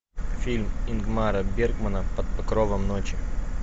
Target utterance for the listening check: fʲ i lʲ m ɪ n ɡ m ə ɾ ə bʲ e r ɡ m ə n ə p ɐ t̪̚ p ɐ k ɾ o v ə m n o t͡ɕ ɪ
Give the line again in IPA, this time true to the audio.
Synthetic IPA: fʲ i lʲ m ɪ n ɡ m a ɾ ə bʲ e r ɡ m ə n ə p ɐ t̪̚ p ɐ k ɾ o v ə m n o t͡ɕ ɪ